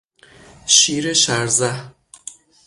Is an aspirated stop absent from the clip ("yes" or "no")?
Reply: yes